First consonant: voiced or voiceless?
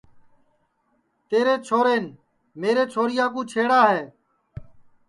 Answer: voiceless